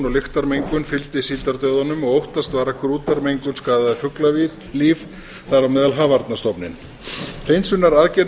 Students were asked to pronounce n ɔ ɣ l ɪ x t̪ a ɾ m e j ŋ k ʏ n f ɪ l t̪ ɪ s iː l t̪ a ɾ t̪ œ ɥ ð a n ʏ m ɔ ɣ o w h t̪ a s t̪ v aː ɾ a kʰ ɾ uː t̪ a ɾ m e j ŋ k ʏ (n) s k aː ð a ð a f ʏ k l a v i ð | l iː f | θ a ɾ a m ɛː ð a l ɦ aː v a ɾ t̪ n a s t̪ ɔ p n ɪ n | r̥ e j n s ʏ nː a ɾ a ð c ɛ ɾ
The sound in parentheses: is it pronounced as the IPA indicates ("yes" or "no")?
yes